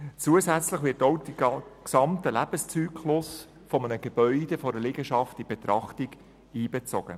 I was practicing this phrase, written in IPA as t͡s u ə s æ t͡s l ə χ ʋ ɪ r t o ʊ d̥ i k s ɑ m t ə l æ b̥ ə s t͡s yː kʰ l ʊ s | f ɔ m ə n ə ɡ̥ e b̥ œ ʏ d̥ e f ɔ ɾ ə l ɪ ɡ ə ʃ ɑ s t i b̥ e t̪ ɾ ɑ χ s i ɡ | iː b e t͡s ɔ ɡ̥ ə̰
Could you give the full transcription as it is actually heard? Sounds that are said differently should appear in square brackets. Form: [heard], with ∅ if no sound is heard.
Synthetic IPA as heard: t͡s u ə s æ t͡s l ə χ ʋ ɪ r t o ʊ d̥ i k s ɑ m t ə l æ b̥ ə s t͡s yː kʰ l ʊ s | f ɔ m ə n ə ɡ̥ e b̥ œ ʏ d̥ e f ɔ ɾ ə l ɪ ɡ ə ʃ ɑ [f] t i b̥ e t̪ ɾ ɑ χ [t] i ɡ | iː b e t͡s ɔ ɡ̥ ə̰